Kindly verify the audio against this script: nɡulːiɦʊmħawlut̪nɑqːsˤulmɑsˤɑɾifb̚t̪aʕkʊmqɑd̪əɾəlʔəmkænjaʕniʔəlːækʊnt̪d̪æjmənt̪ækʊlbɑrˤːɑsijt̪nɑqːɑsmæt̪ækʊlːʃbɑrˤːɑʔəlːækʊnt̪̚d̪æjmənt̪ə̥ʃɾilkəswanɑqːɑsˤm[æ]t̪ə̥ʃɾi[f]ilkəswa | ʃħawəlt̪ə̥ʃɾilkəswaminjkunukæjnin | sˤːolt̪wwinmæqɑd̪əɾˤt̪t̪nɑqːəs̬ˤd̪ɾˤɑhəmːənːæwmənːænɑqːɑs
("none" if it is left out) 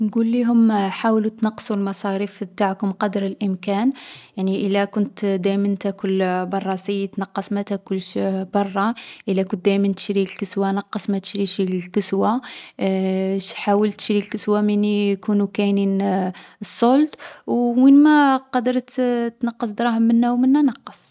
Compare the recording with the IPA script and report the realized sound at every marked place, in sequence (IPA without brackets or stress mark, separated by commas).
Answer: æ, ʃ